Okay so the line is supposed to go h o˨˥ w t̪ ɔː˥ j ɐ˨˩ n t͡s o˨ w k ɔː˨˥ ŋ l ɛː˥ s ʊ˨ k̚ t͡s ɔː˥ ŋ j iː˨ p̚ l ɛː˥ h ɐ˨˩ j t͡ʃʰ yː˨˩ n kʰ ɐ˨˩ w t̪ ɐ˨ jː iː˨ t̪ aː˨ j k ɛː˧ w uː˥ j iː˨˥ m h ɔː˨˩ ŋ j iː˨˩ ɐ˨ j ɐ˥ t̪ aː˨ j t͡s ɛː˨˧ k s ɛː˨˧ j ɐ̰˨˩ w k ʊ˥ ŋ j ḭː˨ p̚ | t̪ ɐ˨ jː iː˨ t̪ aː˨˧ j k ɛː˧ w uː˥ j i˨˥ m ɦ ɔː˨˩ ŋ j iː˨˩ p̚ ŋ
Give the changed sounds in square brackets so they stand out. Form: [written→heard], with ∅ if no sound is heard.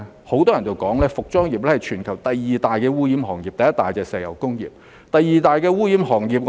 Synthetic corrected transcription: h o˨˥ w t̪ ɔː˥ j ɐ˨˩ n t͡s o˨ w k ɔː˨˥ ŋ l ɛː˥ [s→f] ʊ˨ k̚ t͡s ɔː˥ ŋ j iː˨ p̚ l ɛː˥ h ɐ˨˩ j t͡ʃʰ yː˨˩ n kʰ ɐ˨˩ w t̪ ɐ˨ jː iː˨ t̪ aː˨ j k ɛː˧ w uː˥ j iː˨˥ m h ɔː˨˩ ŋ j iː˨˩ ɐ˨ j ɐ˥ t̪ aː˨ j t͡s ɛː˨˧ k s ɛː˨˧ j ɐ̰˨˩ w k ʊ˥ ŋ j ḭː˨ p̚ | t̪ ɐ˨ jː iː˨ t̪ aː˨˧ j k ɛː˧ w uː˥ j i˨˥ m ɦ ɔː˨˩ ŋ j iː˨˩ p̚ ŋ